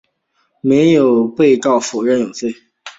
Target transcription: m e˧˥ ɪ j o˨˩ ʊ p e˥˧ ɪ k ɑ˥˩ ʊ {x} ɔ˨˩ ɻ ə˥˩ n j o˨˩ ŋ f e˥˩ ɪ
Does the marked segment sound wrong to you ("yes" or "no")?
yes